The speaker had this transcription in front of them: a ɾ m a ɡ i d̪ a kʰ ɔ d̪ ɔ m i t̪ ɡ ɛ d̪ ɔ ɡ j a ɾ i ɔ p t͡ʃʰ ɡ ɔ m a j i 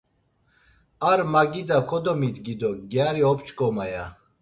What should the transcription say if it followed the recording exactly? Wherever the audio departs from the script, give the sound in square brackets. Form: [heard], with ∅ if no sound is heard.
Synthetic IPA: a ɾ m a ɡ i d̪ a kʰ ɔ d̪ ɔ m i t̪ ɡ [i] d̪ ɔ ɡ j a ɾ i ɔ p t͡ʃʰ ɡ ɔ m a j [a]